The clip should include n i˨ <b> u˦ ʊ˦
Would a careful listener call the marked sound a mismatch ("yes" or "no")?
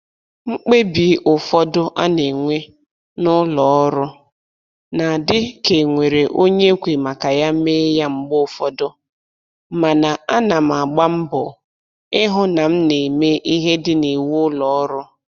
yes